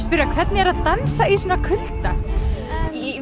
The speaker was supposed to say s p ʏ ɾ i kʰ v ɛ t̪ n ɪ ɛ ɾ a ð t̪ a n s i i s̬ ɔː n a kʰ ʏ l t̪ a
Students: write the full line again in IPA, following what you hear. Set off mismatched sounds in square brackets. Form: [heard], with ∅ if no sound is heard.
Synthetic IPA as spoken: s p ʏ ɾ [a] kʰ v ɛ t̪ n ɪ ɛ ɾ a ð t̪ a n s [a] i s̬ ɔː n a kʰ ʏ l t̪ a